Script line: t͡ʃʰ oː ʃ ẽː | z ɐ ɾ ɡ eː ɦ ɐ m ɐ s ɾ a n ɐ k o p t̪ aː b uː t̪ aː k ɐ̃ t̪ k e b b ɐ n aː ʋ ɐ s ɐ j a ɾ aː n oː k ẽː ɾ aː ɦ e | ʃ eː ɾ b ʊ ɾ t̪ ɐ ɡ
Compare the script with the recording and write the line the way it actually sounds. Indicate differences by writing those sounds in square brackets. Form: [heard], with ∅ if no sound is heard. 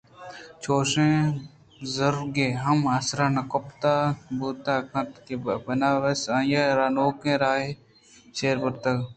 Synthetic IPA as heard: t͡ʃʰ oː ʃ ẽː | z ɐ ɾ ɡ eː ɦ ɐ m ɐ s ɾ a n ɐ k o p t̪ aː b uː t̪ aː k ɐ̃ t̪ k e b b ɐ n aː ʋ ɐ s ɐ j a ɾ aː n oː k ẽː ɾ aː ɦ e | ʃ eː ɾ b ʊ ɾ t̪ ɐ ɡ